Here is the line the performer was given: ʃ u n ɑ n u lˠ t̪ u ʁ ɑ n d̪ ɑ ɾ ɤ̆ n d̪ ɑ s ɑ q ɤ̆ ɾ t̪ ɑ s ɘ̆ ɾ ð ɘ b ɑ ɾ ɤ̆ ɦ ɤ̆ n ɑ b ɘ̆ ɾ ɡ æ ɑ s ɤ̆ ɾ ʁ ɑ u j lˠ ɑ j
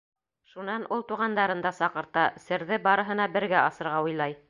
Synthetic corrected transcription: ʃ u n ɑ n u lˠ t̪ u ʁ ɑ n d̪ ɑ ɾ ɤ̆ n d̪ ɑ s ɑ q ɤ̆ ɾ t̪ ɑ s ɘ̆ ɾ ð ɘ b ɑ ɾ ɤ̆ ɦ ɤ̆ n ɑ b ɘ̆ ɾ ɡ æ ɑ s ɤ̆ ɾ ʁ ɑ u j lˠ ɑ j